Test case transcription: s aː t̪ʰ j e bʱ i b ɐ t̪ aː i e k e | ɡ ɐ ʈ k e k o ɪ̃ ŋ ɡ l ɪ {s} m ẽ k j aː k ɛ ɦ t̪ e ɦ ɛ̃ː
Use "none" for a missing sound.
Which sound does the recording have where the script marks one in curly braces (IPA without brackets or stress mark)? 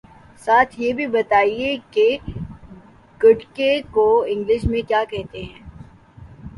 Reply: ʃ